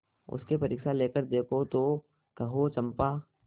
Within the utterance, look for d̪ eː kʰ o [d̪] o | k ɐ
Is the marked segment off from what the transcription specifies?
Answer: yes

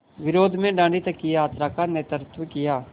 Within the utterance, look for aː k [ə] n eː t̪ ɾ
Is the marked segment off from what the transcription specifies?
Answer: yes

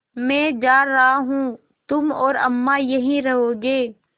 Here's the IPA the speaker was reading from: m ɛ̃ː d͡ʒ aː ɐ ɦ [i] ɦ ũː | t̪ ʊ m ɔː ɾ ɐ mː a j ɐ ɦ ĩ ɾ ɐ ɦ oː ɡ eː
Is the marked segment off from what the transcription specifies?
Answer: yes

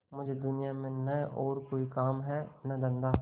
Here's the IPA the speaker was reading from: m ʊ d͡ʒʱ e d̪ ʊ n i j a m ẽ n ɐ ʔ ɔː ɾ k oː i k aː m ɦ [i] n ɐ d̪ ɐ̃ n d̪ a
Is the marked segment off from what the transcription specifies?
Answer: yes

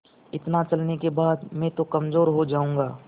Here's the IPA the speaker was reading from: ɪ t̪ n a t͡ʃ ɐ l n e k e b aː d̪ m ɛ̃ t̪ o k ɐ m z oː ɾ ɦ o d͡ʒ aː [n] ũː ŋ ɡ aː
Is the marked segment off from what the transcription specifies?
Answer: yes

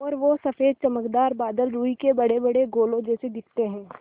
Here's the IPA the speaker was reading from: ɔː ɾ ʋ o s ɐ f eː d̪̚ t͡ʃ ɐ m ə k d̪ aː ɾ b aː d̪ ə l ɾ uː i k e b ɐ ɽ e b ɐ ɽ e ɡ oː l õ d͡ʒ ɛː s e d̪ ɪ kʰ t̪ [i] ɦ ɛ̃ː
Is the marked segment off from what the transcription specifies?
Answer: yes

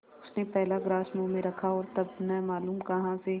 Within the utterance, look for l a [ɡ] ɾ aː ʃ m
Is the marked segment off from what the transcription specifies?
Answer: no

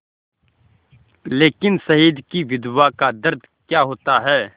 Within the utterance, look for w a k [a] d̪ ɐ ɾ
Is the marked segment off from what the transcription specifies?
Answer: no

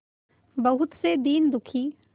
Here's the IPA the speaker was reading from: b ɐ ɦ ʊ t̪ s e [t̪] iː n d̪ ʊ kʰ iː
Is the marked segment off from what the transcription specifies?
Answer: yes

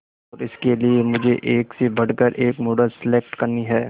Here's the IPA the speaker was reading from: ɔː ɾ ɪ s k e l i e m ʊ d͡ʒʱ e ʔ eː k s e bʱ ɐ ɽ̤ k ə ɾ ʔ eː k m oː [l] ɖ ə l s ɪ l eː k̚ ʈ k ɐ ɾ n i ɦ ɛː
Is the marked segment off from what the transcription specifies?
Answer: yes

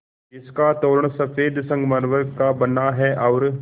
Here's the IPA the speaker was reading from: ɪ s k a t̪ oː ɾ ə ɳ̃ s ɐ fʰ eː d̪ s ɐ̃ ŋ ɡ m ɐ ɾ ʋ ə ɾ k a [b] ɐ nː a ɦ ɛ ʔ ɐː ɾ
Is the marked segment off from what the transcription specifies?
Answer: no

